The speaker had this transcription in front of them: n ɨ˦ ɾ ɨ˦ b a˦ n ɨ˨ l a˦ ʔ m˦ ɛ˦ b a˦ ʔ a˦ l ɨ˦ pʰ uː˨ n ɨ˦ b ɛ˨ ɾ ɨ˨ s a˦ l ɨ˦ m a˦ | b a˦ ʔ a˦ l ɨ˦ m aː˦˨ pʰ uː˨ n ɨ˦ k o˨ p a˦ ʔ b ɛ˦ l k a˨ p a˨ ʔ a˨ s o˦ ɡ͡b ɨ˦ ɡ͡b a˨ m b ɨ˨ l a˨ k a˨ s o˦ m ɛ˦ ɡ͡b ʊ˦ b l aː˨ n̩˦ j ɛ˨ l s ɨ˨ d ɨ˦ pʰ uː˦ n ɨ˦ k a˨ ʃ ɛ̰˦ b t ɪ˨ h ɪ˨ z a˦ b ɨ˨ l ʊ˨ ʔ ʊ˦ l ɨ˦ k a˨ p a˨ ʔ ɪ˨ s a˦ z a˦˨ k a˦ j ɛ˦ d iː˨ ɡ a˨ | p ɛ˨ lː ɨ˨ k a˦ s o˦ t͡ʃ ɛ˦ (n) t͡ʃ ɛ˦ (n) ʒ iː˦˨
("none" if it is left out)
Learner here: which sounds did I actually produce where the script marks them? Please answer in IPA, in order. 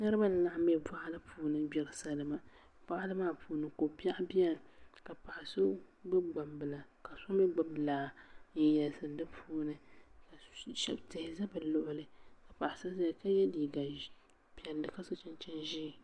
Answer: n, n

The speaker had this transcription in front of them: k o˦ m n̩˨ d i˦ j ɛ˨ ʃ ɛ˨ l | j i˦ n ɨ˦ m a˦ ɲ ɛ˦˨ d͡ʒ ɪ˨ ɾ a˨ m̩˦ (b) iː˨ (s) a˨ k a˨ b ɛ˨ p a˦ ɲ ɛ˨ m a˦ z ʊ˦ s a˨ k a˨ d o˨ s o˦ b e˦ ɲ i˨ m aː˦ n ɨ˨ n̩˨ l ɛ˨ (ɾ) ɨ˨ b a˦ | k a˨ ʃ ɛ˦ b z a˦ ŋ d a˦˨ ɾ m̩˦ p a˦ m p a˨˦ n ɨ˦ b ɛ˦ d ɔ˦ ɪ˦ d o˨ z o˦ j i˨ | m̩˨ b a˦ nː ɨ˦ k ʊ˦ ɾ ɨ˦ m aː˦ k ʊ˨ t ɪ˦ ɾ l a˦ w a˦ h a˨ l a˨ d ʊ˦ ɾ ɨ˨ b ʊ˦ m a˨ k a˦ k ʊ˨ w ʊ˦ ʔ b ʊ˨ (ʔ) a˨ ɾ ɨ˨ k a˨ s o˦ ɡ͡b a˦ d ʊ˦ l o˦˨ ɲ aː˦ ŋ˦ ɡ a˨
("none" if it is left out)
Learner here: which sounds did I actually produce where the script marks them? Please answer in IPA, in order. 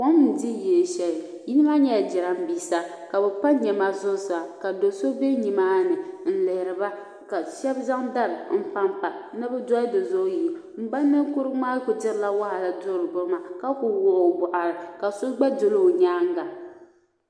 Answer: b, s, ɾ, ʔ

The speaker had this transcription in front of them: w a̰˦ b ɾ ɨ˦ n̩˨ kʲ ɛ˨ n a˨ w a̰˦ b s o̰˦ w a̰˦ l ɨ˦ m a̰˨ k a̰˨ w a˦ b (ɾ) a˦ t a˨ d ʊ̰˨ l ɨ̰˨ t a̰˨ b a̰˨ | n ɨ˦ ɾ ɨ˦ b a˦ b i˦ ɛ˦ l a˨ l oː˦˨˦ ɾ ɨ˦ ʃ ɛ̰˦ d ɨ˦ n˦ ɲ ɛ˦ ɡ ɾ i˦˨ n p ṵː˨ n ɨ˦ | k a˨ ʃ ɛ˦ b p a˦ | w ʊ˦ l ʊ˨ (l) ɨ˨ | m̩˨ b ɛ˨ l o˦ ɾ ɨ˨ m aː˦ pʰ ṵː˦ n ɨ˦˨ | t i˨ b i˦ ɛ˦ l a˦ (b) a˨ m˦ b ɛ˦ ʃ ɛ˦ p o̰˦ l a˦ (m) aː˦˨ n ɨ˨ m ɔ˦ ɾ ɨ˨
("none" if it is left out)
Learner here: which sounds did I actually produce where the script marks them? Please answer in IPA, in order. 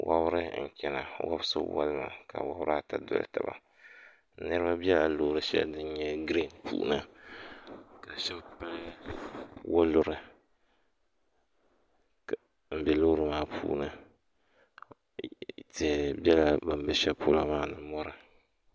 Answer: ɾ, ɾ, b, m

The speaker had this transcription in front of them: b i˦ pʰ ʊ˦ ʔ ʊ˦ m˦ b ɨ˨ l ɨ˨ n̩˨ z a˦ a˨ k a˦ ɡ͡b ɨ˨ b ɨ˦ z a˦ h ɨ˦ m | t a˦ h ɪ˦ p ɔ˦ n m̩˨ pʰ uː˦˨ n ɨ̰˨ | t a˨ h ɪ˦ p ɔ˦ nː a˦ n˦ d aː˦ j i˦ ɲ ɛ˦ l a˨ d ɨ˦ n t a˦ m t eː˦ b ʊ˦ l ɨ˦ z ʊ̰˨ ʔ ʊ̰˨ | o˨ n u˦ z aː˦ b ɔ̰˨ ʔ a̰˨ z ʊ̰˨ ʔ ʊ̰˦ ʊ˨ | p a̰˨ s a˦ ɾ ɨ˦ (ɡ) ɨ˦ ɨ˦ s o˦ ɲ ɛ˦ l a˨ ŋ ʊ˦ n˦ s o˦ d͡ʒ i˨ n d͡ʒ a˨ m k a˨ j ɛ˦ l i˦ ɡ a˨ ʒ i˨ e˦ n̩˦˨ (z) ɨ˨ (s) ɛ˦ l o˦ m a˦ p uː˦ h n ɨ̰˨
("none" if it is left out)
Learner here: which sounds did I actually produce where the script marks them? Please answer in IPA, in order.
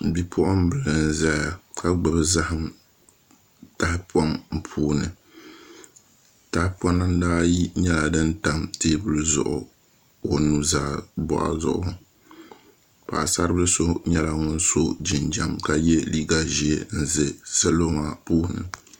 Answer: b, z, s

